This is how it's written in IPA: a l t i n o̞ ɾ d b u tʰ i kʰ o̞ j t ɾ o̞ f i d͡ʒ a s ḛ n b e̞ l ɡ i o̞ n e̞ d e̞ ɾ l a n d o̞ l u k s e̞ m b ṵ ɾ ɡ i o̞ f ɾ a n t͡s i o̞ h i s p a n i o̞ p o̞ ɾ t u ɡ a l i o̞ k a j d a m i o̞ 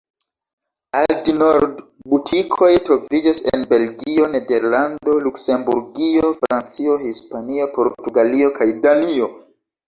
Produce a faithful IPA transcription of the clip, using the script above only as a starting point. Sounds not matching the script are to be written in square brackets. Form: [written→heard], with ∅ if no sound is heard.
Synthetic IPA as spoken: a l t i n o̞ ɾ d b u tʰ i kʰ o̞ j t ɾ o̞ [f→v] i d͡ʒ a s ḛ n b e̞ l ɡ i o̞ n e̞ d e̞ ɾ l a n d o̞ l u k s e̞ m b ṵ ɾ ɡ i o̞ f ɾ a n t͡s i o̞ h i s p a n i o̞ p o̞ ɾ t u ɡ a l i o̞ k a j d a [m→n] i o̞